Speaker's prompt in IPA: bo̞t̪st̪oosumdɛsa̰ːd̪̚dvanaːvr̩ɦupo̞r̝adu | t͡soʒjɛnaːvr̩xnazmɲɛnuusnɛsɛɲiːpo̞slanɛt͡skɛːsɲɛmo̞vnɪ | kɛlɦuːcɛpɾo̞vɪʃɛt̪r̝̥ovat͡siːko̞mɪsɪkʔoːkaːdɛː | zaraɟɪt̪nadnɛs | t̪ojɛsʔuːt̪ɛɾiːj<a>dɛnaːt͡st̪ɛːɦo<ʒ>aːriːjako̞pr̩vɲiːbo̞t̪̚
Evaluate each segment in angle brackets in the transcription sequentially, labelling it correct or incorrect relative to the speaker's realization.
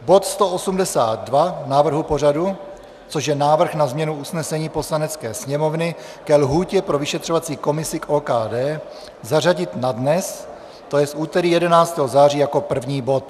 incorrect: ɛ, incorrect: z

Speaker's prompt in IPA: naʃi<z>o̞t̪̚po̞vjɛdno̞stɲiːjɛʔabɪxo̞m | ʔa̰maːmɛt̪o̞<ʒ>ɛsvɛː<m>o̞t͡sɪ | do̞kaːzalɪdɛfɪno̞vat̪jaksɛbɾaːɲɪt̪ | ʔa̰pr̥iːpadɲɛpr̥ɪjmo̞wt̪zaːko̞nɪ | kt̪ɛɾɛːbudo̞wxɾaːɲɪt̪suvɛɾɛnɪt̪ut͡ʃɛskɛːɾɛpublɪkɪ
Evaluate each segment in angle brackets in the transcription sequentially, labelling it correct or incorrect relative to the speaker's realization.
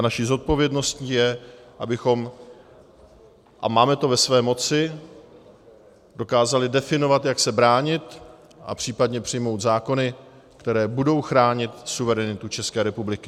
correct, incorrect: v, correct

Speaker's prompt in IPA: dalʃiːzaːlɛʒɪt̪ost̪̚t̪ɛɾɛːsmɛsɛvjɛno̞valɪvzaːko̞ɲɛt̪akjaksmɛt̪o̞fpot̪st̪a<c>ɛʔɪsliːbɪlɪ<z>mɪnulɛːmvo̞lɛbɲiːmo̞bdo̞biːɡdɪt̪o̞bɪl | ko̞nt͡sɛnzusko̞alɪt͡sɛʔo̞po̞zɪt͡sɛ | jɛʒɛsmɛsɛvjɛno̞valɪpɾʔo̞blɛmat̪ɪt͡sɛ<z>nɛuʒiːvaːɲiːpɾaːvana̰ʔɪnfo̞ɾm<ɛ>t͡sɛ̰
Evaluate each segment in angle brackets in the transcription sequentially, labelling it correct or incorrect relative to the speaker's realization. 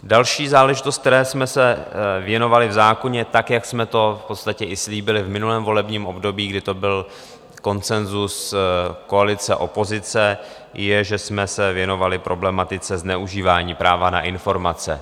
correct, incorrect: v, correct, incorrect: a

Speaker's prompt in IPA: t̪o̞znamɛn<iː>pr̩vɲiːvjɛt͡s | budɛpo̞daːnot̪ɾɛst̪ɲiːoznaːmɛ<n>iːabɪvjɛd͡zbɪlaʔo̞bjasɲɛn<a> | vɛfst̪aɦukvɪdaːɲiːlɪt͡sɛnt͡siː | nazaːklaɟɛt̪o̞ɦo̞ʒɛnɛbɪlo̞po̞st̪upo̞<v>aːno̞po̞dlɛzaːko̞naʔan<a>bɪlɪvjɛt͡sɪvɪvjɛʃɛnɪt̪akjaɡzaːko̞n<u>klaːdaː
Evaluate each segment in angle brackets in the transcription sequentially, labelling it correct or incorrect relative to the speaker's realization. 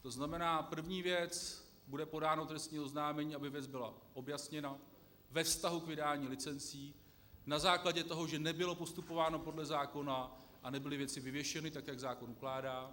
incorrect: aː, incorrect: ɲ, correct, correct, incorrect: ɛ, correct

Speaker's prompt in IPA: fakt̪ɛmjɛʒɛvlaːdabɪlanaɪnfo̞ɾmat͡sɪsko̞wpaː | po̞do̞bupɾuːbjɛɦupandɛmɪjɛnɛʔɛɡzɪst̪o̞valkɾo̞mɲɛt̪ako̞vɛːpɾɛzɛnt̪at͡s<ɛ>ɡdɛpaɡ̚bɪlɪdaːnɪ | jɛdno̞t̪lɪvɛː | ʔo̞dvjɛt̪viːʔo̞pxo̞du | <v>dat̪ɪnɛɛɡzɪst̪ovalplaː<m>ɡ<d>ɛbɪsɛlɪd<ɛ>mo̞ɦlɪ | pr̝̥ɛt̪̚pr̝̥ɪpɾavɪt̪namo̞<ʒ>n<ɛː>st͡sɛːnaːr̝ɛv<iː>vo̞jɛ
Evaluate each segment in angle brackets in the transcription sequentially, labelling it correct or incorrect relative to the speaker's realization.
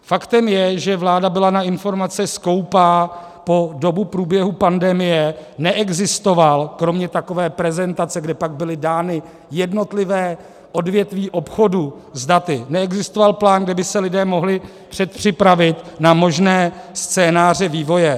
correct, incorrect: z, incorrect: n, correct, incorrect: ɛː, correct, correct, correct

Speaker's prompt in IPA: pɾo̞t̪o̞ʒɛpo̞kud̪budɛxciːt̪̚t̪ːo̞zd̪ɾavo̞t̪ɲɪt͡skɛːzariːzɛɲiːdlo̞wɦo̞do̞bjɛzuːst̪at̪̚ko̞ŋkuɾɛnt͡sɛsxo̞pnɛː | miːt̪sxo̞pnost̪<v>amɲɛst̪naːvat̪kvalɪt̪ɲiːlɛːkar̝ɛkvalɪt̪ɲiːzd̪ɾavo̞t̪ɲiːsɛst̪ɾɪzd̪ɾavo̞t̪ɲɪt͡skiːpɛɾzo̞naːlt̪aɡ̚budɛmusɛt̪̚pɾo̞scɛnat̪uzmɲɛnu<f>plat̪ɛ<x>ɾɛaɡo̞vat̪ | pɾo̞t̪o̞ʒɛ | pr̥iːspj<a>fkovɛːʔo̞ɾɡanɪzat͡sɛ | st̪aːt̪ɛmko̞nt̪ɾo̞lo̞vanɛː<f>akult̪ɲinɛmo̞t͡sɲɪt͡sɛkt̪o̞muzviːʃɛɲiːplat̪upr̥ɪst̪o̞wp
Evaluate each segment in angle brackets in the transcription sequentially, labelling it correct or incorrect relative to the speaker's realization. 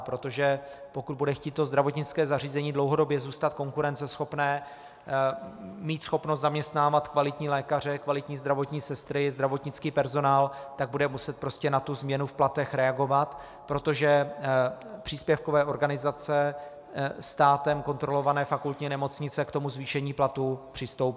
incorrect: z, correct, correct, incorrect: ɛ, correct

